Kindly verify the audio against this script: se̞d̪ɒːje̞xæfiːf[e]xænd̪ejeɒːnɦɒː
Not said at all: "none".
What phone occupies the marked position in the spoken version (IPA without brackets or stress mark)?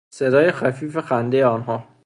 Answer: e